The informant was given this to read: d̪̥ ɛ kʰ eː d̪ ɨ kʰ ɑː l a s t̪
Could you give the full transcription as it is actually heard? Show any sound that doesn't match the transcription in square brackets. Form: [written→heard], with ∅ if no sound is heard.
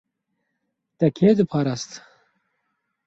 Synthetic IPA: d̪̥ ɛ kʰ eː d̪ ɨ [kʰ→pʰ] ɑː [l→ɾ] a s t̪